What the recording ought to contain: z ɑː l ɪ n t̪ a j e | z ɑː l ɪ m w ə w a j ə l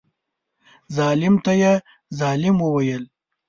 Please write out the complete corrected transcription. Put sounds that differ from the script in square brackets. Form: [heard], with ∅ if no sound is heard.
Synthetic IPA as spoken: z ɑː l ɪ [m] t̪ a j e | z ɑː l ɪ m w ə w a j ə l